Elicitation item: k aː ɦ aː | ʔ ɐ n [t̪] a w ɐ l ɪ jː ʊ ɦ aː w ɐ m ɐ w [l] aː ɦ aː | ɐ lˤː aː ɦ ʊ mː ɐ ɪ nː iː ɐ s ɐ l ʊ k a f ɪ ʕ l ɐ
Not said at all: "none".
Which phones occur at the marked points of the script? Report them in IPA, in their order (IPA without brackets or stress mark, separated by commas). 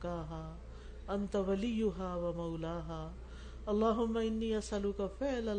t̪, l